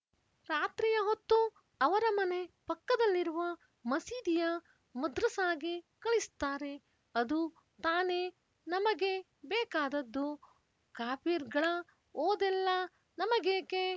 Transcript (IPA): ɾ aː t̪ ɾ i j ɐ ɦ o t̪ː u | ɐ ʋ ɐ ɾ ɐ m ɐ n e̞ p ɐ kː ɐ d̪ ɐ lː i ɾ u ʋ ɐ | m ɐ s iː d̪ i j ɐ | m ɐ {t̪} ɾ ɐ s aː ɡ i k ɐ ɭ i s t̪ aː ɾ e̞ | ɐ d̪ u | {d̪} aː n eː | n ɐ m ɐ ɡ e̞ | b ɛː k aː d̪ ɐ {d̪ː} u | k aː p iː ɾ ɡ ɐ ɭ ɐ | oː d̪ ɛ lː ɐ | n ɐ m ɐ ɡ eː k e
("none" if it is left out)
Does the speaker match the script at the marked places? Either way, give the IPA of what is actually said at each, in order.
d̪, t̪, d̪ː

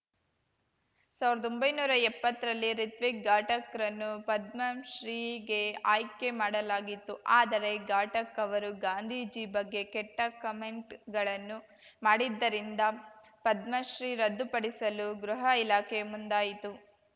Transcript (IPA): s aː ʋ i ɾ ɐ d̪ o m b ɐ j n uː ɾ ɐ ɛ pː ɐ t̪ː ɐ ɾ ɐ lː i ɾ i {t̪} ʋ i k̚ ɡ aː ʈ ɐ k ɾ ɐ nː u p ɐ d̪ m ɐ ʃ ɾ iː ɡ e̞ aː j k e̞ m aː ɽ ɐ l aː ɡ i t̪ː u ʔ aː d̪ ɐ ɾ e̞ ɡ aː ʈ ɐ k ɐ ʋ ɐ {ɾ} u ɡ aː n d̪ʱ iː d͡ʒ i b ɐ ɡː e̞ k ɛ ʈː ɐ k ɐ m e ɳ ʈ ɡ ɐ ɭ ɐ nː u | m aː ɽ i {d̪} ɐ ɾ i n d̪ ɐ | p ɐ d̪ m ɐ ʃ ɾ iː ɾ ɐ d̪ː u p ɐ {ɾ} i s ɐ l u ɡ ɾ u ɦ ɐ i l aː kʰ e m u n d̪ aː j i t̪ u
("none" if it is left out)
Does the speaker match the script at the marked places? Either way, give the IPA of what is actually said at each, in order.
t̪, ɾ, d̪ː, ɽ

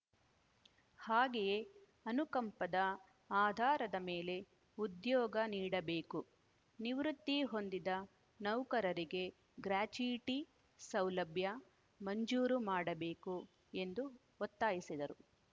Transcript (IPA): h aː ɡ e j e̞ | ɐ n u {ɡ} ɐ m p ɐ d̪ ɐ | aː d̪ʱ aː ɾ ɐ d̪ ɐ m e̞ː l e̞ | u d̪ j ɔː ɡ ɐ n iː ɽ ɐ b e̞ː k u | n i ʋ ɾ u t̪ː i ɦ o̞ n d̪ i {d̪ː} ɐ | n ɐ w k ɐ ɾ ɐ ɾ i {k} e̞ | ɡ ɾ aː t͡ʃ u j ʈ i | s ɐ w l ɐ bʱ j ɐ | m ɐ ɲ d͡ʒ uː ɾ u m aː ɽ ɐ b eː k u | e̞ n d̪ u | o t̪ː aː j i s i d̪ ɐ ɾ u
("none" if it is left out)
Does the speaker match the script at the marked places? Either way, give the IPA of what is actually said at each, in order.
k, d̪, ɡ

